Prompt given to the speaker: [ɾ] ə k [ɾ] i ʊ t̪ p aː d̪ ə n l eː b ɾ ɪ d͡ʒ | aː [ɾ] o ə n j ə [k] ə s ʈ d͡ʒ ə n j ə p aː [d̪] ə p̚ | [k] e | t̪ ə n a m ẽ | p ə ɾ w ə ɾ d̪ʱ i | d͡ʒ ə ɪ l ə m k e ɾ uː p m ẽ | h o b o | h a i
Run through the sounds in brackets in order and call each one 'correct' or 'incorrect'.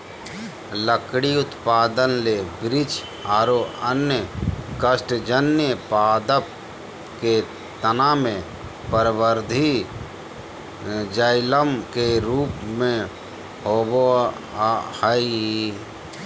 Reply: incorrect: l, incorrect: ɽ, correct, correct, correct, correct

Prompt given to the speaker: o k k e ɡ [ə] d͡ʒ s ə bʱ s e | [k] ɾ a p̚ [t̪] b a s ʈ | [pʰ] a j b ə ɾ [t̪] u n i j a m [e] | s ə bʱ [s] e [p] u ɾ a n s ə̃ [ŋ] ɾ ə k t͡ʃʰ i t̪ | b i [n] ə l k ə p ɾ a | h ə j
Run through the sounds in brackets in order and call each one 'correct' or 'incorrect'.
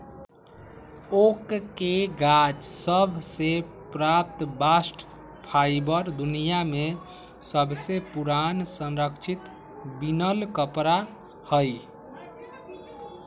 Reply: incorrect: a, incorrect: p, correct, correct, incorrect: d̪, correct, correct, correct, incorrect: n, correct

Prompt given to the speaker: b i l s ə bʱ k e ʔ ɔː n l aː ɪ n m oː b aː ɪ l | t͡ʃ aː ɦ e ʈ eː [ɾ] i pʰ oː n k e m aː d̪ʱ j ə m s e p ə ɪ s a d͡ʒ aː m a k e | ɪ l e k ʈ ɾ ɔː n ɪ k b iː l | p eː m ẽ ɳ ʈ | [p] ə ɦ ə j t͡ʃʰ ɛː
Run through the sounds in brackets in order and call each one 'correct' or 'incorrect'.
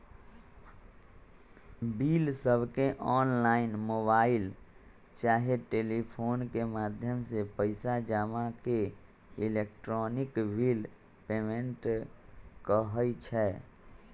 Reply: incorrect: l, incorrect: k

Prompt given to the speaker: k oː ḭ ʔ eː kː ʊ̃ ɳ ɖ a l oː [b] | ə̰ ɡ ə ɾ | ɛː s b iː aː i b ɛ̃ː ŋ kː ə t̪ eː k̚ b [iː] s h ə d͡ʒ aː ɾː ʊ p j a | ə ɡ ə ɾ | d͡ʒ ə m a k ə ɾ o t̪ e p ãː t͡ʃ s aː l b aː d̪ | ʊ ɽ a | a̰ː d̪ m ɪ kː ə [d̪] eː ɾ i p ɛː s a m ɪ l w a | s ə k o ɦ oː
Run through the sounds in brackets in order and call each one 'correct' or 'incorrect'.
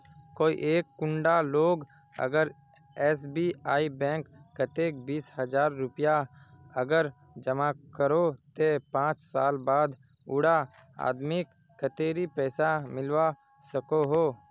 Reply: incorrect: ɡ, correct, incorrect: t̪

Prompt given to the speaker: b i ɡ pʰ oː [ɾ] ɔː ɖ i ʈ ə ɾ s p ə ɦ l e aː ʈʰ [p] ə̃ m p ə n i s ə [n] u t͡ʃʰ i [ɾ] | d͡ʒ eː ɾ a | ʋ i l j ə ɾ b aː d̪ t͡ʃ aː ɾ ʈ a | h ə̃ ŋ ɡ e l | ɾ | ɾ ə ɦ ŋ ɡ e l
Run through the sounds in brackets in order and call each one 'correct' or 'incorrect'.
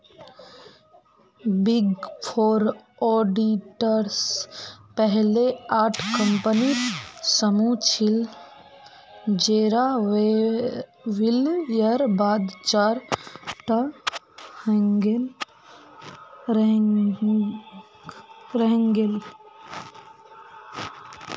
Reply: correct, incorrect: k, incorrect: m, incorrect: l

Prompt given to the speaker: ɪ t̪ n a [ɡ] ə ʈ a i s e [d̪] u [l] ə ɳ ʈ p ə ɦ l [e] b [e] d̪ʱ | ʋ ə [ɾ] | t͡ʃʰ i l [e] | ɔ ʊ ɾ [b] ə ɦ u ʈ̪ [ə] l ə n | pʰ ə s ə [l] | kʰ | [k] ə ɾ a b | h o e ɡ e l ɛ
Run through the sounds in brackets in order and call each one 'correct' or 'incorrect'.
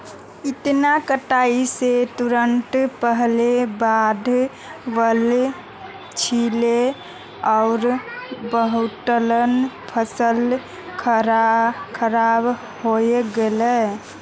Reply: incorrect: k, incorrect: t̪, incorrect: ɾ, correct, incorrect: a, incorrect: l, correct, correct, correct, correct, incorrect: kʰ

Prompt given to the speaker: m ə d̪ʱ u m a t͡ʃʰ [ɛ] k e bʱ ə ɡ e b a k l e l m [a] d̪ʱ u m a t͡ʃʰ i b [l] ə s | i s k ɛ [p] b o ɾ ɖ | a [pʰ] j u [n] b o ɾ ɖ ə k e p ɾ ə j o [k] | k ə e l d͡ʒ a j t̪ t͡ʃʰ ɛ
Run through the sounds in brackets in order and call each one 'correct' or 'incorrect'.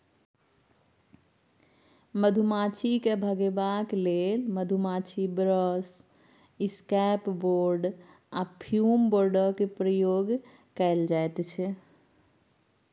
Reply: incorrect: i, incorrect: ə, incorrect: ɾ, correct, correct, incorrect: m, incorrect: ɡ

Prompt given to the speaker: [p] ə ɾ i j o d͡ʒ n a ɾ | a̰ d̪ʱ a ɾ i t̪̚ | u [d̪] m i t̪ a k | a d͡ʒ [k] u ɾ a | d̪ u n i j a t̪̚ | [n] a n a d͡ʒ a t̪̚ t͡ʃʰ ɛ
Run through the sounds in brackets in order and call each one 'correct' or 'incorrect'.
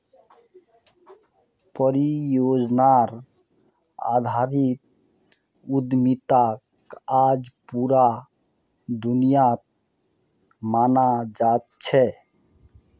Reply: correct, correct, incorrect: p, incorrect: m

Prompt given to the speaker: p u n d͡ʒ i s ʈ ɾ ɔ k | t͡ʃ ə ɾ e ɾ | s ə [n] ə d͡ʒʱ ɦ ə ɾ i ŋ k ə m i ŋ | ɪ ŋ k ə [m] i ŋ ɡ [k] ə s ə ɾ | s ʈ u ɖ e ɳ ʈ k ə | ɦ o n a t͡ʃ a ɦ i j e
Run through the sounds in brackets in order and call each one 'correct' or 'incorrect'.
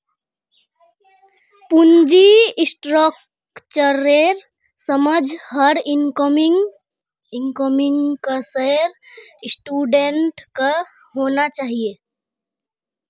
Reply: incorrect: m, correct, correct

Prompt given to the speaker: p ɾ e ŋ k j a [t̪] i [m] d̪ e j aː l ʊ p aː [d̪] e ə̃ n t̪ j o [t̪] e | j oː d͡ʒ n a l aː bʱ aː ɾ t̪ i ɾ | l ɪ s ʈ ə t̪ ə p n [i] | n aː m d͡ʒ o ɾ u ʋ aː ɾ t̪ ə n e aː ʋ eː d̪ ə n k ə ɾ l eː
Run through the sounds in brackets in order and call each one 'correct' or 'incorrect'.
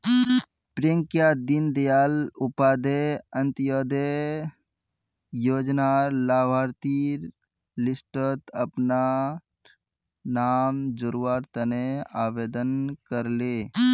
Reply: incorrect: d̪, incorrect: n, correct, incorrect: d̪, incorrect: a

